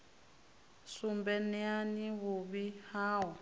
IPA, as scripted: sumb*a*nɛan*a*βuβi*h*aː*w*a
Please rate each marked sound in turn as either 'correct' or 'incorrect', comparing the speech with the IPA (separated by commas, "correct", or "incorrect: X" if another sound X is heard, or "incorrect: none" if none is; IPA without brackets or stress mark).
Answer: incorrect: ɛ, incorrect: i, correct, correct